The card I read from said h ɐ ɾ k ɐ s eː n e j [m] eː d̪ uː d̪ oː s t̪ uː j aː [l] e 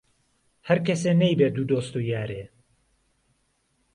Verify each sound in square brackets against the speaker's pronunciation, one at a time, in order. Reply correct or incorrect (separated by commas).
incorrect, incorrect